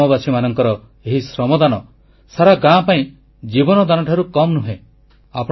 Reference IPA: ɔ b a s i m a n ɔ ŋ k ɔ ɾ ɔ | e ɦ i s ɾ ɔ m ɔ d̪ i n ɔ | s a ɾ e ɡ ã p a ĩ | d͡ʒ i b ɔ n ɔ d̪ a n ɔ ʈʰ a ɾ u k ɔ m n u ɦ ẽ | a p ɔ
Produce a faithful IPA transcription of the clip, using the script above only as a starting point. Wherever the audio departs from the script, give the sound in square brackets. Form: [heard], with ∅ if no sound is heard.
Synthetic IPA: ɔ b a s i m a n ɔ ŋ k ɔ ɾ ɔ | e ɦ i s ɾ ɔ m ɔ d̪ [a] n ɔ | s a ɾ [a] ɡ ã p a ĩ | d͡ʒ i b ɔ n ɔ d̪ a n ɔ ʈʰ a ɾ u k ɔ m n u ɦ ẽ | a p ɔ